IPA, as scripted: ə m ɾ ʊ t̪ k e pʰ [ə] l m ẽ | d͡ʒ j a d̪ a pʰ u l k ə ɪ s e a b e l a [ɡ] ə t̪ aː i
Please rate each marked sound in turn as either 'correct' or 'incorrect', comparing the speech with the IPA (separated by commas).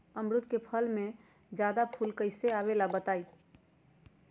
correct, incorrect